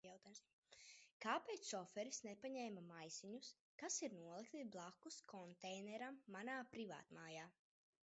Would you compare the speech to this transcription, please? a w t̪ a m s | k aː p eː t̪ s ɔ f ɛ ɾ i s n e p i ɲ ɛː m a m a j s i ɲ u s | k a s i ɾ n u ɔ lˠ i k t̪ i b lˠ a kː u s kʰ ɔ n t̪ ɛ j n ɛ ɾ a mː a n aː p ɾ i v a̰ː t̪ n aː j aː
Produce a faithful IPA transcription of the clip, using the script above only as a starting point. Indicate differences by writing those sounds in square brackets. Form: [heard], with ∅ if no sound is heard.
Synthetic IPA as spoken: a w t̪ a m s | k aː p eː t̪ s ɔ f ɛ ɾ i s n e p [a] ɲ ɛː m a m a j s i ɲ u s | k a s i ɾ n u ɔ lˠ i k t̪ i b lˠ a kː u s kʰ ɔ n t̪ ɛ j n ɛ ɾ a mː a n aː p ɾ i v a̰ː t̪ [m] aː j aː